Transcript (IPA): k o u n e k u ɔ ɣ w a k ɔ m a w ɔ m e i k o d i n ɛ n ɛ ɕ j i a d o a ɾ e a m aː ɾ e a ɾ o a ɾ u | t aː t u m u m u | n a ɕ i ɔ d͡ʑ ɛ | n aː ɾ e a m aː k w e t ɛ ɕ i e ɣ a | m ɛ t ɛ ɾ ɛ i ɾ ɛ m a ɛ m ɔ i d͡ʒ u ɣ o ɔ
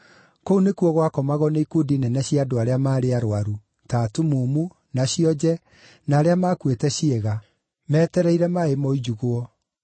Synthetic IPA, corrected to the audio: k o u n e k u ɔ ɣ w a k ɔ m a ɣ ɔ n e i k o d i n ɛ n ɛ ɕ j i a d o a ɾ e a m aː ɾ e a ɾ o a ɾ u | t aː t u m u m u | n a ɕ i ɔ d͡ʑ ɛ | n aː ɾ e a m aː k w e t ɛ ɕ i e ɣ a | m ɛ t ɛ ɾ ɛ i ɾ ɛ m a e m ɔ i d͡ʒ u ɣ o ɔ